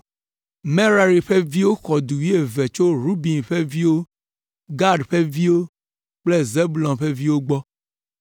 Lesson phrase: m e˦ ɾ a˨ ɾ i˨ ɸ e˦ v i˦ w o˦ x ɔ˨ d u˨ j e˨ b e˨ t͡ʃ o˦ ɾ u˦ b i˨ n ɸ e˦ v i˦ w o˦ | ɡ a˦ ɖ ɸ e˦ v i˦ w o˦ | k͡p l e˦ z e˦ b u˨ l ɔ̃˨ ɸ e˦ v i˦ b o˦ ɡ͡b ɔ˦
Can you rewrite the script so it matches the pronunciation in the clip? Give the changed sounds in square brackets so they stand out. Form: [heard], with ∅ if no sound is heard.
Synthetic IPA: m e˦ ɾ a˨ ɾ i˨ ɸ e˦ v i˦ w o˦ x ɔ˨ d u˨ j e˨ [v] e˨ t͡ʃ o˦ ɾ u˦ b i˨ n ɸ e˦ v i˦ w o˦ | ɡ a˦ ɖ ɸ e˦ v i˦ w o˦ | k͡p l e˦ z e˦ b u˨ l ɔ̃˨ ɸ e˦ v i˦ [w] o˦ ɡ͡b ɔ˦